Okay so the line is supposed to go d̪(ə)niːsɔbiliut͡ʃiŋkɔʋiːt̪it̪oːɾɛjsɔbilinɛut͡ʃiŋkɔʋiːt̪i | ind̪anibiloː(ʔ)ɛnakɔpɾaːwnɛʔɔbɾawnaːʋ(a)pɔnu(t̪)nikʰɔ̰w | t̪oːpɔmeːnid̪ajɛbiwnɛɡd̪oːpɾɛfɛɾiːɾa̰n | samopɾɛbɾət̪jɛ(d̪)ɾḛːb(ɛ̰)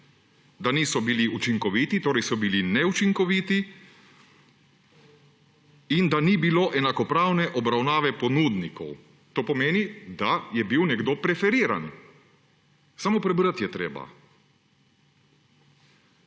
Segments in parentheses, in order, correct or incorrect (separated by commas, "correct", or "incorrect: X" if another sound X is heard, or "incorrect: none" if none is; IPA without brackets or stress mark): incorrect: a, correct, incorrect: ɛ, incorrect: d̪, incorrect: t̪, incorrect: a̰